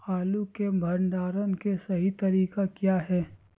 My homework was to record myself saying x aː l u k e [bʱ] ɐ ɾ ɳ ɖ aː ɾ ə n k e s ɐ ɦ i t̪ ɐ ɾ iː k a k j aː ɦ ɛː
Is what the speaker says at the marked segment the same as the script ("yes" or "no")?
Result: yes